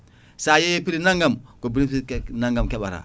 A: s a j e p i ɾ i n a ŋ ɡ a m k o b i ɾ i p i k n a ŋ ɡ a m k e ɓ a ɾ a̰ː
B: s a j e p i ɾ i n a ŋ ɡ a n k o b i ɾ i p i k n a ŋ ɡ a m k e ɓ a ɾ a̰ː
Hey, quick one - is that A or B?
A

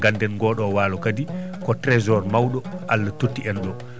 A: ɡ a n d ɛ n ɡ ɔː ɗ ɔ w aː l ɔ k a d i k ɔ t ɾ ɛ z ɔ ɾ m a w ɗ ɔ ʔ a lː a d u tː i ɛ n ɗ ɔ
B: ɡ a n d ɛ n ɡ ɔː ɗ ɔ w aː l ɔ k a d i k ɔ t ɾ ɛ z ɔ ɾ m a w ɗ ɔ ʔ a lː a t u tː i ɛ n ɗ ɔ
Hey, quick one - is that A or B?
B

